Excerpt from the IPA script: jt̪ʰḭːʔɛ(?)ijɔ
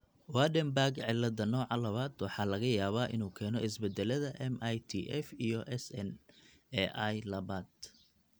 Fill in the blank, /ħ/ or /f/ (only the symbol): f